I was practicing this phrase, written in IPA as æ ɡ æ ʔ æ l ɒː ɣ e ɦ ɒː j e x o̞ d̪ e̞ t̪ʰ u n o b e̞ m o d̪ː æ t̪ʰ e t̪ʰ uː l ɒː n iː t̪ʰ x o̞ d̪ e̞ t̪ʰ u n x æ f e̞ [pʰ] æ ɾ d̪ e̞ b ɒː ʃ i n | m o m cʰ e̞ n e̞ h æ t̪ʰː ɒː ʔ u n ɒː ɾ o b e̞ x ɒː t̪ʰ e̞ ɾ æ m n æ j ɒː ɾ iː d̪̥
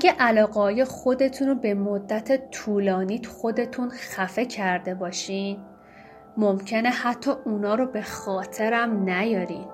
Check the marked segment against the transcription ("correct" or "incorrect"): incorrect